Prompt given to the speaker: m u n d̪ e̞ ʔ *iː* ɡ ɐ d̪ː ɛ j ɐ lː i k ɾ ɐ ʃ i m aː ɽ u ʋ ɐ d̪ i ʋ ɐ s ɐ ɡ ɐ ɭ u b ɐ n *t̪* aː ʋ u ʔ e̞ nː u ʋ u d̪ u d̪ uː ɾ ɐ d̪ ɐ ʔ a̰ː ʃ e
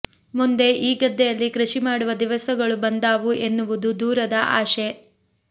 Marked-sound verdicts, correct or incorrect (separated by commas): correct, incorrect